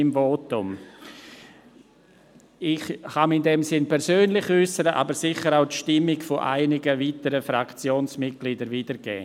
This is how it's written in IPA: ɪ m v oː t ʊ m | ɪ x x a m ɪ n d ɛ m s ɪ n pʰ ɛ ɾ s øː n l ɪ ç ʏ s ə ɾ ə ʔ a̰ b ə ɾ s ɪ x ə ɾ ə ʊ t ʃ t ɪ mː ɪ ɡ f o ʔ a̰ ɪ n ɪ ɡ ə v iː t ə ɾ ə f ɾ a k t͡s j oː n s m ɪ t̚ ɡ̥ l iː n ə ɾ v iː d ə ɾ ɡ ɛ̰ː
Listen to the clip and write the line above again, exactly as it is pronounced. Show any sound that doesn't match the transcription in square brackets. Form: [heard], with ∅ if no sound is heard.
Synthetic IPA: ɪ m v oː t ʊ m | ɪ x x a m ɪ n d ɛ m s ɪ n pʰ ɛ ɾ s øː n l ɪ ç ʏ s ə ɾ ə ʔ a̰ b ə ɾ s ɪ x ə ɾ [a] ʊ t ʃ t ɪ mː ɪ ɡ f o ʔ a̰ ɪ n ɪ ɡ ə v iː t ə ɾ ə f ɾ a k t͡s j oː n s m ɪ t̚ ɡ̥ l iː [d] ə ɾ v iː d ə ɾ ɡ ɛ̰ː